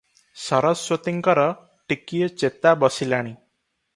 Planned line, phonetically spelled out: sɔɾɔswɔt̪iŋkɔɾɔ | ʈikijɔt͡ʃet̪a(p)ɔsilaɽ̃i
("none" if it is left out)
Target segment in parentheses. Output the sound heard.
b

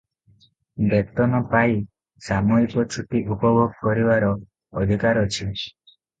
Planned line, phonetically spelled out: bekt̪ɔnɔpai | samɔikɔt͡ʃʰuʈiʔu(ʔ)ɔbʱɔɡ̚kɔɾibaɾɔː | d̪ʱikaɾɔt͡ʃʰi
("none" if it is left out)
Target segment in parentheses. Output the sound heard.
p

